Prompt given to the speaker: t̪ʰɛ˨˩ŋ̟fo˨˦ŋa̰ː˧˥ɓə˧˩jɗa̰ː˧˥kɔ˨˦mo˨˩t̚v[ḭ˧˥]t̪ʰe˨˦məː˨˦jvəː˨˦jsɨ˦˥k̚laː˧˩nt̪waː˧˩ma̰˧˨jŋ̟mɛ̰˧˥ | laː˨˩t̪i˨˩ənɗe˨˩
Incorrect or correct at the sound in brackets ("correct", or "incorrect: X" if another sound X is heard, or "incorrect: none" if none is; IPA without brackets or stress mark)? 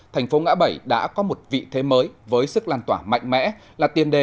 incorrect: ḭ˧˨